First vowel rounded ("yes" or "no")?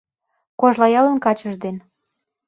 yes